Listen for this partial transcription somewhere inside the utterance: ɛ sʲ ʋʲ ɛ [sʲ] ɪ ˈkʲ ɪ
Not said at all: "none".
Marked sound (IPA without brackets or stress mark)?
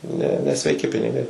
none